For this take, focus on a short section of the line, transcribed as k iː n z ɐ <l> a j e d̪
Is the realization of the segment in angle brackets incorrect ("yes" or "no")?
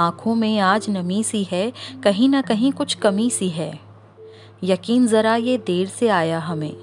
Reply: yes